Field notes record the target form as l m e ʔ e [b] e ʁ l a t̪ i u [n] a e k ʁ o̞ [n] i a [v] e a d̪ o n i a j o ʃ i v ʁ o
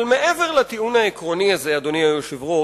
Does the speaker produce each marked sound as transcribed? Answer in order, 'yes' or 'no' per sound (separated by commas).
no, yes, yes, no